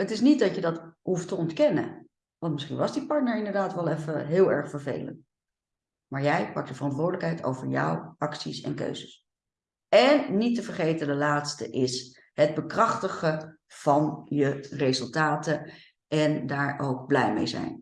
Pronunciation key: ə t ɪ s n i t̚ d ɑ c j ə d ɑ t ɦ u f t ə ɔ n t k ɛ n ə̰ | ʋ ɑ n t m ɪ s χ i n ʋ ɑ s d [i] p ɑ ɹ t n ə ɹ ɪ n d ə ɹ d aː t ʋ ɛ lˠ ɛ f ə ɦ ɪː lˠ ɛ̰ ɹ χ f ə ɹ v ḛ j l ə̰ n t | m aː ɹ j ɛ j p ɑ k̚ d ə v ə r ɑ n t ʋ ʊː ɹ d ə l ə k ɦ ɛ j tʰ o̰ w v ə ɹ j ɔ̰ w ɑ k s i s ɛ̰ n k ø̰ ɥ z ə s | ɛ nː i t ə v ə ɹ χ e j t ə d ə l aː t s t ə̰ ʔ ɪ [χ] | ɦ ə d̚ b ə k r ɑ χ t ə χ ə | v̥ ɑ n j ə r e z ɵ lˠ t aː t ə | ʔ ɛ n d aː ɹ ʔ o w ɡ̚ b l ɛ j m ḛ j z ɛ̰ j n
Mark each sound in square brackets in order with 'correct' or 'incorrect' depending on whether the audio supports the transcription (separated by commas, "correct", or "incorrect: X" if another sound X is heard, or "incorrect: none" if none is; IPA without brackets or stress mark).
correct, incorrect: s